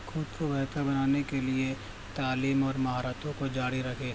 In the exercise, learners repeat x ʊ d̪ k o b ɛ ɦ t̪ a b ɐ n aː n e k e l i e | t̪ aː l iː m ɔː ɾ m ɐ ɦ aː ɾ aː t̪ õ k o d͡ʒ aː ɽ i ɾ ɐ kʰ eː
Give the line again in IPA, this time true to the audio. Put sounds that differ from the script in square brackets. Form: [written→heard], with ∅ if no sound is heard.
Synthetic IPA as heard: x ʊ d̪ k o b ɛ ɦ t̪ a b ɐ n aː n e k e l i e | t̪ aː l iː m ɔː ɾ m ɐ ɦ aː ɾ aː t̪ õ k o d͡ʒ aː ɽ i ɾ ɐ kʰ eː